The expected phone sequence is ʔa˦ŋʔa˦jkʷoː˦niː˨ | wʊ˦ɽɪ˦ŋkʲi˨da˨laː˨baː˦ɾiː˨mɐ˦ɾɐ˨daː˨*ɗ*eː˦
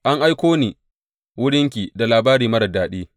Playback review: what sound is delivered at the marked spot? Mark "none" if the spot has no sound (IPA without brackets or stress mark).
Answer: ɗ